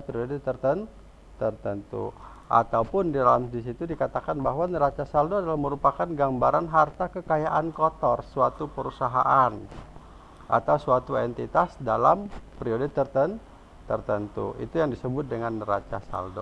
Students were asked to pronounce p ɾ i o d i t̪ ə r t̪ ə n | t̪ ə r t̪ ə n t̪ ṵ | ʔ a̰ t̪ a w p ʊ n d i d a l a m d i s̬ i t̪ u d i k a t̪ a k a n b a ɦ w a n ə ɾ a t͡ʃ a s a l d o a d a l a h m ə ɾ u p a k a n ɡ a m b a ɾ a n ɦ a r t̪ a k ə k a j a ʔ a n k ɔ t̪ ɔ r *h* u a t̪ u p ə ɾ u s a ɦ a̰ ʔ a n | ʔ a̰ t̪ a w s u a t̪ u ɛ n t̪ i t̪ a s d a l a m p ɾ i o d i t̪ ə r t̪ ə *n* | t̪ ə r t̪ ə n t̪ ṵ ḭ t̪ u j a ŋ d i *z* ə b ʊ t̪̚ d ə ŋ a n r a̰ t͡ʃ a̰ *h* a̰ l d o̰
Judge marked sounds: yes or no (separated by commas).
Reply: no, yes, no, no